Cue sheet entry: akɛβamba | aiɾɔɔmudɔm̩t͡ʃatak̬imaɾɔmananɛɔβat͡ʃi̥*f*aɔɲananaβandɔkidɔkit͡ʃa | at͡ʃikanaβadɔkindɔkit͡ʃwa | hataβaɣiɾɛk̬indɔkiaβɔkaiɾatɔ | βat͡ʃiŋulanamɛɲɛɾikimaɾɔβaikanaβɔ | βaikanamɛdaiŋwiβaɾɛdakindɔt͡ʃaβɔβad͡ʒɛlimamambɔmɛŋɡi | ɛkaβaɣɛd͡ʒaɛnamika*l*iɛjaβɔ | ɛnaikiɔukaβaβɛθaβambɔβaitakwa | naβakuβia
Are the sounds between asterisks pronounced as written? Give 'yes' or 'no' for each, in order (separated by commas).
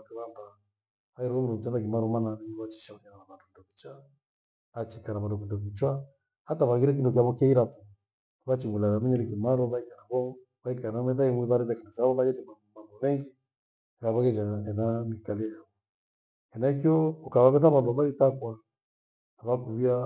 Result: no, yes